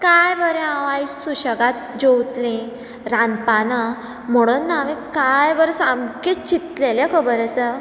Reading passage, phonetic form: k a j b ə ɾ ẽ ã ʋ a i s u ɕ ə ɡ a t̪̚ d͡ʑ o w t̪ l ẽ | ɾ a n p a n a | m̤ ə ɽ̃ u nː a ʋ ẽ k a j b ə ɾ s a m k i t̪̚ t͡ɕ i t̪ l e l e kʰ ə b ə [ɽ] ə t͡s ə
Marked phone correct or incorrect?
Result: incorrect